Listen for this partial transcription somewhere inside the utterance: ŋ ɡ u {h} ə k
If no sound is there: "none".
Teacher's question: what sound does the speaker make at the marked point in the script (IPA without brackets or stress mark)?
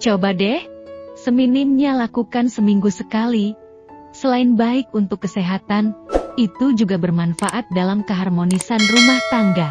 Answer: s